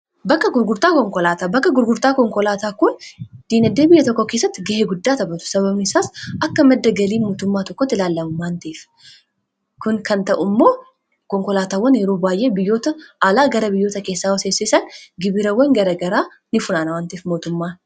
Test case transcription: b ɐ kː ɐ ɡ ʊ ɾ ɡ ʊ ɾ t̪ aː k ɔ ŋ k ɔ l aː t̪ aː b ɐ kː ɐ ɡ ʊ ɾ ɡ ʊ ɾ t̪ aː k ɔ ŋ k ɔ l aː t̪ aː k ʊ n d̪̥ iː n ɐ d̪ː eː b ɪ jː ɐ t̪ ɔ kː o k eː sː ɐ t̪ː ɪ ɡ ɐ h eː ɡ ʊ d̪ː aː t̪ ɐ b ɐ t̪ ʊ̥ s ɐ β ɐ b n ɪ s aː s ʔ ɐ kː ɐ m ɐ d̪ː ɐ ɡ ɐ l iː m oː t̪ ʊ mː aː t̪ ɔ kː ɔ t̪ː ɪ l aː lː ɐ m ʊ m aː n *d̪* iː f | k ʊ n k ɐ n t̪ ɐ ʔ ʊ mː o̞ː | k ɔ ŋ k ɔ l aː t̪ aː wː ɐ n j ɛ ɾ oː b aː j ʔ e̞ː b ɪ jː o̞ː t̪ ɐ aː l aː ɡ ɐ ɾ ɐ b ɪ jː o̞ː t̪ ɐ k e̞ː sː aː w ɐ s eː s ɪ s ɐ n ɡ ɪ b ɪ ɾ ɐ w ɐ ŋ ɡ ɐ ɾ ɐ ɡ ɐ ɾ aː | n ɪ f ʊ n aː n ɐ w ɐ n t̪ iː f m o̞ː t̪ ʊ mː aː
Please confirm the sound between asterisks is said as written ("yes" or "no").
no